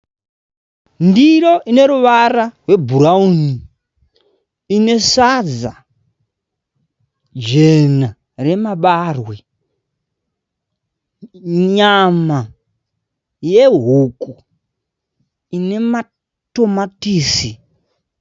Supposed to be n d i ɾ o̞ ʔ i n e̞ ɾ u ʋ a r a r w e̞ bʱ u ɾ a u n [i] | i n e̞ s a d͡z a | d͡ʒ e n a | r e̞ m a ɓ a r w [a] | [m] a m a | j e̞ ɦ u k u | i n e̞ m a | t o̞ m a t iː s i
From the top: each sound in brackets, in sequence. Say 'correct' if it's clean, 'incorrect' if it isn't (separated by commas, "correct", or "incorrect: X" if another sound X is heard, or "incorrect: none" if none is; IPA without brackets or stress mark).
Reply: correct, incorrect: e, incorrect: ɲ